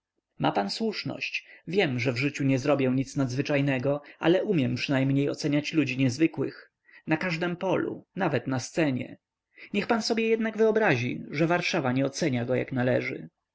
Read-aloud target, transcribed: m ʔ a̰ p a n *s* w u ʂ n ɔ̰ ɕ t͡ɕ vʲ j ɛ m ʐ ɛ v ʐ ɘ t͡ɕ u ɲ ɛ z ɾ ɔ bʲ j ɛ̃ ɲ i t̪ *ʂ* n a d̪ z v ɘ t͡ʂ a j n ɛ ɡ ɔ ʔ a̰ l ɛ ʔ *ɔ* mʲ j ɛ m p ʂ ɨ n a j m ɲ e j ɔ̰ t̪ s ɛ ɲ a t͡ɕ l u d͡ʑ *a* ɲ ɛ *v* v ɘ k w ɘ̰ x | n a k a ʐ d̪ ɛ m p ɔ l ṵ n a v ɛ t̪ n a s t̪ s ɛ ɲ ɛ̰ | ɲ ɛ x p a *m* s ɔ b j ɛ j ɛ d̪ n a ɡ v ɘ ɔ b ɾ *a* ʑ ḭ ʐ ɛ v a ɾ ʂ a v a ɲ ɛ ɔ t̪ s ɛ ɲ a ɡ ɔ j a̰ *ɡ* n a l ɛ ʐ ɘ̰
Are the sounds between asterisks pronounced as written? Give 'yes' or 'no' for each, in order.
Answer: yes, no, no, no, no, no, yes, no

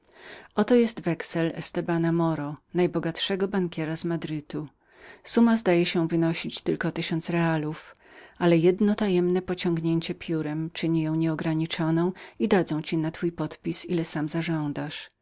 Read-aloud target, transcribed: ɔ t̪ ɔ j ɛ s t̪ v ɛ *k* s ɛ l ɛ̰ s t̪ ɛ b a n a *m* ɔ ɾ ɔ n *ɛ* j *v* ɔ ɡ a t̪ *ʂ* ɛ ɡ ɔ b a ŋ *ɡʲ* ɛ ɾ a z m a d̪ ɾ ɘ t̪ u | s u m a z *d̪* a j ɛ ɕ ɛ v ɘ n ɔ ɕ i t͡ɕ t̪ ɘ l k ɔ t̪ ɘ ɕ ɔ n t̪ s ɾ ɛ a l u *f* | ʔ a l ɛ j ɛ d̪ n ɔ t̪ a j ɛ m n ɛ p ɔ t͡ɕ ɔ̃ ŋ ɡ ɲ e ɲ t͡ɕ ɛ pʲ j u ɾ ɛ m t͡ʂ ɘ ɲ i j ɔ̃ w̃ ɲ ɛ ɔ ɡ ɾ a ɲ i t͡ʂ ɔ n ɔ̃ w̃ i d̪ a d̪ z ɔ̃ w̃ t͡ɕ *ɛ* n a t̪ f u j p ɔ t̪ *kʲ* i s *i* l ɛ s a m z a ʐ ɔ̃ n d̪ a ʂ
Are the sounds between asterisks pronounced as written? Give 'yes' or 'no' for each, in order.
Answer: yes, yes, no, no, yes, no, yes, yes, no, no, yes

